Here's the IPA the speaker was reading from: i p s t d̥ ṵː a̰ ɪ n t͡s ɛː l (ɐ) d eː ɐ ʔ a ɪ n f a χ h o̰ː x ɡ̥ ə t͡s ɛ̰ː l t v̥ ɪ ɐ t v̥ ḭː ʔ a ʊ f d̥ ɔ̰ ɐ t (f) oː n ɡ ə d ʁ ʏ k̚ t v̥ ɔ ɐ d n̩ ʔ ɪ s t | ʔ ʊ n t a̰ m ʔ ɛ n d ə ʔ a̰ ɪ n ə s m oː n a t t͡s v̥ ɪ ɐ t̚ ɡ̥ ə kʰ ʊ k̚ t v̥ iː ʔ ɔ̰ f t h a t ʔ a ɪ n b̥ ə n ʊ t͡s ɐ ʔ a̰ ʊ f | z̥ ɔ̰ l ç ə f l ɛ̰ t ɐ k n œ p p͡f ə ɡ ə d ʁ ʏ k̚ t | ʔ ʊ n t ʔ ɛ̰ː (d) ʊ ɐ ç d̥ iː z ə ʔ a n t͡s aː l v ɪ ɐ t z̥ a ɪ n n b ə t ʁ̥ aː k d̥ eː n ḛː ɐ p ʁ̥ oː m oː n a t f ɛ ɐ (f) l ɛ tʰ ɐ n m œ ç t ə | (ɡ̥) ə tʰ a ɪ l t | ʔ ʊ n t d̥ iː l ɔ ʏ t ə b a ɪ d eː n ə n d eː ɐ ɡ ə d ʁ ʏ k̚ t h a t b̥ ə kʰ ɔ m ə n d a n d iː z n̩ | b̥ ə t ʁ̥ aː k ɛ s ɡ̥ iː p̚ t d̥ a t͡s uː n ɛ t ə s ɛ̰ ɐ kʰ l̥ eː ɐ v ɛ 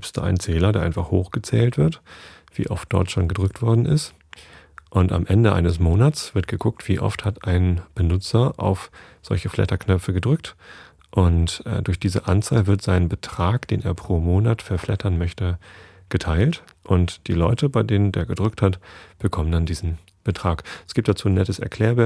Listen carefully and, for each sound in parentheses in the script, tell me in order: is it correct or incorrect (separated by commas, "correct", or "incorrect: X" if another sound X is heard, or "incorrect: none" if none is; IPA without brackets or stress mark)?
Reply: correct, incorrect: ʃ, correct, correct, correct